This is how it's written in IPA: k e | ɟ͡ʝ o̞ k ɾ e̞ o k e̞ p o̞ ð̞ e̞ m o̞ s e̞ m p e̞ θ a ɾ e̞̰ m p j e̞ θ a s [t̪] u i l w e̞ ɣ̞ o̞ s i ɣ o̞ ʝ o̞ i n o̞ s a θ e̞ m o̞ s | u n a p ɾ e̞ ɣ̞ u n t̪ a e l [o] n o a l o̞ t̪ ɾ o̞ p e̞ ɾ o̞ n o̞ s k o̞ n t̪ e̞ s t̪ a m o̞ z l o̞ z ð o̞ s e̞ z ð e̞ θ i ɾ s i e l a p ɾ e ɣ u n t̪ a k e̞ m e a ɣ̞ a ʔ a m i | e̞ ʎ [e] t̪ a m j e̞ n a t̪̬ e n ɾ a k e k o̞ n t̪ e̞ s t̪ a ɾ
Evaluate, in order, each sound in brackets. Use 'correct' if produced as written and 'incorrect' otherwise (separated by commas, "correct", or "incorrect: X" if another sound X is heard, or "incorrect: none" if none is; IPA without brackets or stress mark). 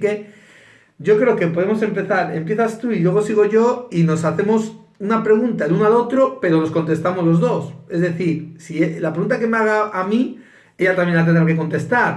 correct, incorrect: u, incorrect: a